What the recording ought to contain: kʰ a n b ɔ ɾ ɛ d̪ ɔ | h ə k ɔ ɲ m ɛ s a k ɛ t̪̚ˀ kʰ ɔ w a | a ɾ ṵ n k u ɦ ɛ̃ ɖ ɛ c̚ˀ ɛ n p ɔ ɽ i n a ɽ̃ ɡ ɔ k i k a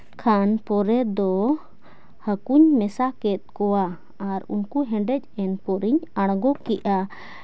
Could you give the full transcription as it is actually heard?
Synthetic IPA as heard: kʰ a n p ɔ ɾ ɛ d̪ ɔ | h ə k u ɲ m ɛ s a k ɛ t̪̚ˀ k ɔ w a | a ɾ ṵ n k u ɦ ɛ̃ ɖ ɛ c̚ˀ ɛ n p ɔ ɾ i ɲ a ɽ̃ ɡ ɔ k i ʔ a